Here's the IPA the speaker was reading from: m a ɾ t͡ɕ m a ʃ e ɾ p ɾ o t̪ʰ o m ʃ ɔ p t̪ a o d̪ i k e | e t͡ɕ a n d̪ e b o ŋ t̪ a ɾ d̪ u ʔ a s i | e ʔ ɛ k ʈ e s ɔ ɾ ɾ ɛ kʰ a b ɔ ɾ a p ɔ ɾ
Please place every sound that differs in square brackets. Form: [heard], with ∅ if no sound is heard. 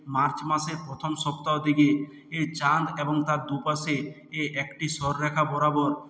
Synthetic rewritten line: m a ɾ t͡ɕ m a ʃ e ɾ p ɾ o t̪ʰ o m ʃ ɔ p t̪ a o d̪ i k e | e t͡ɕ a n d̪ e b o ŋ t̪ a ɾ d̪ u [p] a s [e] | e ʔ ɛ k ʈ [i] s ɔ ɾ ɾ ɛ kʰ a b ɔ ɾ a [b] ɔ ɾ